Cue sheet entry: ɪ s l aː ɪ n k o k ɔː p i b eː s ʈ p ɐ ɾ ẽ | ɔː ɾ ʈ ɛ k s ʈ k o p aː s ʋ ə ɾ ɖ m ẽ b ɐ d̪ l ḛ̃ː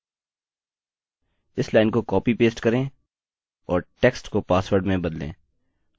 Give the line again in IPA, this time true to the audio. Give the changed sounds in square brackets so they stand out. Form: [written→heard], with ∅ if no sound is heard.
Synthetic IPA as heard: ɪ s l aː ɪ n k o k ɔː p i [b→p] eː s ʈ [p→k] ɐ ɾ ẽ | ɔː ɾ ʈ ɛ k s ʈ k o p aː s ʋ ə ɾ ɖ m ẽ b ɐ d̪ l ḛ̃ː